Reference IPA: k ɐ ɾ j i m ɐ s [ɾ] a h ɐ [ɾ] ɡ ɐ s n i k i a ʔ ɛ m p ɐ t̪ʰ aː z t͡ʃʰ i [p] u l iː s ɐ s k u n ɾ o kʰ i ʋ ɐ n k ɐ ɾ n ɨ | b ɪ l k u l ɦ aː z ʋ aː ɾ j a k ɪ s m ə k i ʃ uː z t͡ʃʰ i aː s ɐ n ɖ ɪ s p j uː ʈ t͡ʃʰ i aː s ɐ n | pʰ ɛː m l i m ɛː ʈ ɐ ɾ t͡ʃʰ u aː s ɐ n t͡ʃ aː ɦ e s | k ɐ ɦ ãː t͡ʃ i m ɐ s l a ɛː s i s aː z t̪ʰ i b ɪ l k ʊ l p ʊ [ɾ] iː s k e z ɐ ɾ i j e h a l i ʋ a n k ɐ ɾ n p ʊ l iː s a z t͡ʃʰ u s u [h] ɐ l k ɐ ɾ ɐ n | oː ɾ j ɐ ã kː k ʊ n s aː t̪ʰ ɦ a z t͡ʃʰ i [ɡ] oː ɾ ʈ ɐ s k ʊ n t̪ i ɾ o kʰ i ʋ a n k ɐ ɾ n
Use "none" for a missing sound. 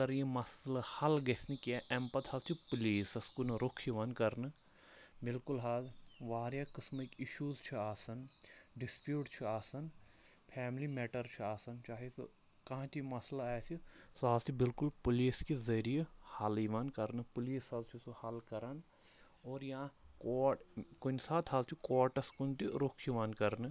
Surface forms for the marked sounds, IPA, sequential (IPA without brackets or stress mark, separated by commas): l, l, p, l, h, k